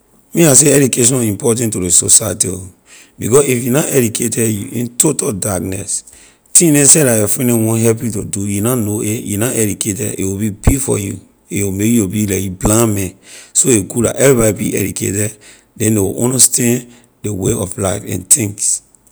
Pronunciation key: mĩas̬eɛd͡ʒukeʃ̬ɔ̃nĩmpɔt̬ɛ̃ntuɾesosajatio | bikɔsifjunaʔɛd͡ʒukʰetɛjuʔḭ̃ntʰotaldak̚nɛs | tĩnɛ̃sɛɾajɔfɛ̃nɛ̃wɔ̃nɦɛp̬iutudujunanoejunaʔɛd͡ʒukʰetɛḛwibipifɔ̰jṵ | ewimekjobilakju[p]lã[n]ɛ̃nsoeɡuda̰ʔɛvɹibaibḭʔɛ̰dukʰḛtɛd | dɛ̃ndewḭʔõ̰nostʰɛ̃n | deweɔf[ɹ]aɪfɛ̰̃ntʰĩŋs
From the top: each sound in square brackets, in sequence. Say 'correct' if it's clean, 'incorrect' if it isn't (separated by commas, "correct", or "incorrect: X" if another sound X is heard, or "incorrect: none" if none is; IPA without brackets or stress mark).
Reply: incorrect: b, incorrect: m, incorrect: l